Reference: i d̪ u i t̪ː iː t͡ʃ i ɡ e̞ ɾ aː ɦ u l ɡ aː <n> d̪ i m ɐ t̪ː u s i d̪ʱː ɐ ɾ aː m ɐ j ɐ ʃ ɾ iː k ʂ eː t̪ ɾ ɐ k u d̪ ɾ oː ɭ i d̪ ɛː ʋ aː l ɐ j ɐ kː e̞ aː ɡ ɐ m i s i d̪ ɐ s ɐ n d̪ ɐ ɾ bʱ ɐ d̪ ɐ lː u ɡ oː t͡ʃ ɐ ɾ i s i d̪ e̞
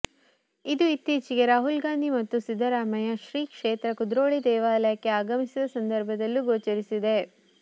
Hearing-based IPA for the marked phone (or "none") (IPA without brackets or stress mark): n